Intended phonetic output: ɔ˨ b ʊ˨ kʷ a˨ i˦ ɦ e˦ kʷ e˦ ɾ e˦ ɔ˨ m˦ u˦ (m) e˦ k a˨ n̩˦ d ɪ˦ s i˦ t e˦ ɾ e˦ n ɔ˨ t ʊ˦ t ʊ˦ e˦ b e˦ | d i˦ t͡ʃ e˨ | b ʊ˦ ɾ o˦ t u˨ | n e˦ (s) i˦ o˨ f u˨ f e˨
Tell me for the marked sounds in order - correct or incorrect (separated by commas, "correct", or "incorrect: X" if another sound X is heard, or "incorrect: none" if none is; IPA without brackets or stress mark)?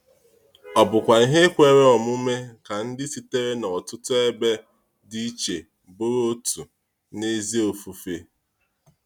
correct, incorrect: z